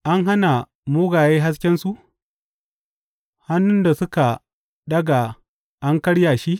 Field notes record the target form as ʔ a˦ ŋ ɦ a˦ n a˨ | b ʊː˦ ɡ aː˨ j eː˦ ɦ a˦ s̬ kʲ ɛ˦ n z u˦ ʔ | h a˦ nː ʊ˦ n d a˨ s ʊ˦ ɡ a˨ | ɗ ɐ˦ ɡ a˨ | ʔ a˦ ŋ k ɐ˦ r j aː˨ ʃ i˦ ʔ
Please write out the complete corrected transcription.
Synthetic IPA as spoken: ʔ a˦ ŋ ɦ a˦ n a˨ | m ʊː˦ ɡ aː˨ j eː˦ ɦ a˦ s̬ kʲ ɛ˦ n s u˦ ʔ | h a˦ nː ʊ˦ n d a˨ s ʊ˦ k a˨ | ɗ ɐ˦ ɡ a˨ | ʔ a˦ ŋ k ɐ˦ ɽ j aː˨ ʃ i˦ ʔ

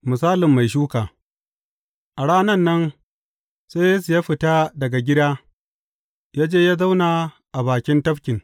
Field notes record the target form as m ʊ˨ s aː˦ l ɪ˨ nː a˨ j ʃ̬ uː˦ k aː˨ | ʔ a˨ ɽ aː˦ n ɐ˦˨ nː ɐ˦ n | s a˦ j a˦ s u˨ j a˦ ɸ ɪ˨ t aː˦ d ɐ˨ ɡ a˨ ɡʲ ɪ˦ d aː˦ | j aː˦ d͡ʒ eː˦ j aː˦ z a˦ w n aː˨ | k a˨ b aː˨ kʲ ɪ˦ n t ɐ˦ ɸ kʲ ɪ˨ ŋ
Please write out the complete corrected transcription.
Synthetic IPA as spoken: m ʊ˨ s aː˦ l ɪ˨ mː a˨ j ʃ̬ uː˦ k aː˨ | ʔ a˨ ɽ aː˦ n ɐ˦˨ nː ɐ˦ n | s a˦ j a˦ s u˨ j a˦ ɸ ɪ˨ t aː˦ d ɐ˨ ɡ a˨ ɡʲ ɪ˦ d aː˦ | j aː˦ d͡ʒ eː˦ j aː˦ z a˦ w n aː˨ | ʔ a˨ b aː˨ kʲ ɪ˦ n t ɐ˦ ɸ kʲ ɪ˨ ŋ

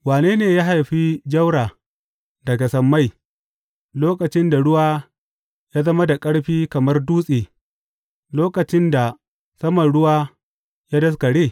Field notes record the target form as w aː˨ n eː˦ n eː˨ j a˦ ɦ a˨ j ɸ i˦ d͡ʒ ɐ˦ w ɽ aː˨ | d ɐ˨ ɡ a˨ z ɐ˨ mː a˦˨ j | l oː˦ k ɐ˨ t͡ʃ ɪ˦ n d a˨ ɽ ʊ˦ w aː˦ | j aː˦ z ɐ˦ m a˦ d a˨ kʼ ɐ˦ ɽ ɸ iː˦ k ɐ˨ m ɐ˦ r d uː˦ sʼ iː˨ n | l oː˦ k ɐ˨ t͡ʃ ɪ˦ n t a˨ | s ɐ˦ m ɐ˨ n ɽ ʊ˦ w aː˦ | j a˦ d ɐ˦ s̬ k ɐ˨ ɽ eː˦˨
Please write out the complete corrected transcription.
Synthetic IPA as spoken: w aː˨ n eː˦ n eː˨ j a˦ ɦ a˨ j ɸ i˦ d͡ʒ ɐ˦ w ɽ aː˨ | d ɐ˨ ɡ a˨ s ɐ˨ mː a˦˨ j | l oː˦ k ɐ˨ t͡ʃ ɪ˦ n d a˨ ɽ ʊ˦ w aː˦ | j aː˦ z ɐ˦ m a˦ d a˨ kʼ ɐ˦ ɽ ɸ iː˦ k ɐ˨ m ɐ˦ r d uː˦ sʼ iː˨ | l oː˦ k ɐ˨ t͡ʃ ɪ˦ n d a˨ | s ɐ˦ m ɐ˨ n ɽ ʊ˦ w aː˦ | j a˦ d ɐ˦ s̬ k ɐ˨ ɽ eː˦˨

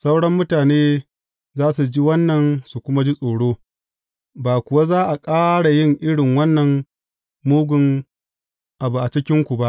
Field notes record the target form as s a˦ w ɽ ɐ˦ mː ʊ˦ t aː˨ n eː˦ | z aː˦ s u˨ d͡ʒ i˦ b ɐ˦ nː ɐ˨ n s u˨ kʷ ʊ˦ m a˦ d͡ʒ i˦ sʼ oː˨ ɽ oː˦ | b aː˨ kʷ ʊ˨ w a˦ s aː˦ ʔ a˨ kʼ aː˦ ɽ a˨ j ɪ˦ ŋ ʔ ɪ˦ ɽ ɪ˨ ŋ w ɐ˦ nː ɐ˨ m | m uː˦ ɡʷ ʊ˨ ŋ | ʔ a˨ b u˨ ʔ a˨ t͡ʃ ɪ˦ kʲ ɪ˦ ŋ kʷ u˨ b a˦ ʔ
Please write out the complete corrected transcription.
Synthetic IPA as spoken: s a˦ w ɽ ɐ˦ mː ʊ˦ t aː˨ n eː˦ | z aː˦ s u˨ d͡ʒ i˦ w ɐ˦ nː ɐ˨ n s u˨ kʷ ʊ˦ m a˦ d͡ʒ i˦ sʼ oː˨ ɽ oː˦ | b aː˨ kʷ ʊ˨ w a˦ z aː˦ ʔ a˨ kʼ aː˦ ɽ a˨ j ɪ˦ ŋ ʔ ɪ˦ ɽ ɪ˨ ŋ w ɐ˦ nː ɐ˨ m | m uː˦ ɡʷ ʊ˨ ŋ | ʔ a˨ b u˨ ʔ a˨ t͡ʃ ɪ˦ kʲ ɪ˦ ŋ kʷ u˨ b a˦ ʔ

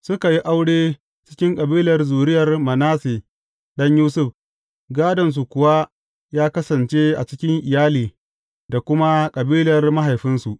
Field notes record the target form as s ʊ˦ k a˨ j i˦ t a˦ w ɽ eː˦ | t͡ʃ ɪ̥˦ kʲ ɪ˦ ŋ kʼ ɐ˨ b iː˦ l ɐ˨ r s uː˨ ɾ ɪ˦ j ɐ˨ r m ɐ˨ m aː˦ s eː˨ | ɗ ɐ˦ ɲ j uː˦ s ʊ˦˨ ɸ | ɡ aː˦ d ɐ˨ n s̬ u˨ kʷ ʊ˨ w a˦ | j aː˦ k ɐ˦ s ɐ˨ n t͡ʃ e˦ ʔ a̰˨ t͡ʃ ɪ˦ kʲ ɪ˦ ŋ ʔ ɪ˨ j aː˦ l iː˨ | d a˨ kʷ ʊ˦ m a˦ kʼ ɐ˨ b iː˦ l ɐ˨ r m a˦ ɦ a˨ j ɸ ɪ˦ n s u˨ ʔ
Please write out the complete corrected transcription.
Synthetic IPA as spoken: s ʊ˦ k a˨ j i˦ ʔ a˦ w ɽ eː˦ | t͡ʃ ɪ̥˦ kʲ ɪ˦ ŋ kʼ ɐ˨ b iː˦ l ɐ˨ r z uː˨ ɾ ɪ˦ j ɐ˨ r m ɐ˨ n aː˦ s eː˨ | ɗ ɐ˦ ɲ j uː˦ s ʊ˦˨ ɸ | ɡ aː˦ d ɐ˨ n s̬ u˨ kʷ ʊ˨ w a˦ | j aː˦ k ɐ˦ s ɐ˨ n t͡ʃ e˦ ʔ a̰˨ t͡ʃ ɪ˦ kʲ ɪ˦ ŋ ʔ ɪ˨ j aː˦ l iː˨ | d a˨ kʷ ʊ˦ m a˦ kʼ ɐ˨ b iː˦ l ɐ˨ r m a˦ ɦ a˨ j ɸ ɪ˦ n s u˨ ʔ

